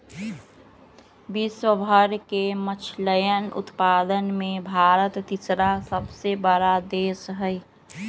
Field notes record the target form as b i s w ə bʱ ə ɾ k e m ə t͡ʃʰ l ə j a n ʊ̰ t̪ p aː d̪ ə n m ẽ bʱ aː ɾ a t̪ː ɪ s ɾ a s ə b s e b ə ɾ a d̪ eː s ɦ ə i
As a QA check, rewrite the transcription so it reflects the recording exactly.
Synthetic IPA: b i s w ə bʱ ə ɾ k e m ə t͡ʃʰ l ə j ə n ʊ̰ t̪ p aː d̪ ə n m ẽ bʱ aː ɾ ə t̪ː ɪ s ɾ a s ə b s e b ə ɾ a d̪ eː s ɦ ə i